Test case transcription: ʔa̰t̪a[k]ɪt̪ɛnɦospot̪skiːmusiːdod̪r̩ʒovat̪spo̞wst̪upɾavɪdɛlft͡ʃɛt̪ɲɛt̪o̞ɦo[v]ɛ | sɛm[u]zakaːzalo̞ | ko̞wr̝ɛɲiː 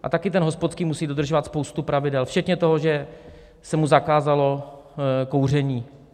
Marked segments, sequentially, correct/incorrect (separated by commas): correct, incorrect, correct